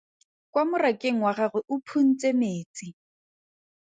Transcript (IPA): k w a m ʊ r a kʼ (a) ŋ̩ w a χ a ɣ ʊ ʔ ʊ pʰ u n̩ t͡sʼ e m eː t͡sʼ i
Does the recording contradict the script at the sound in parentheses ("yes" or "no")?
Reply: yes